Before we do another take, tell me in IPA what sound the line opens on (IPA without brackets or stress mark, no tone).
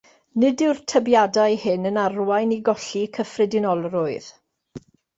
n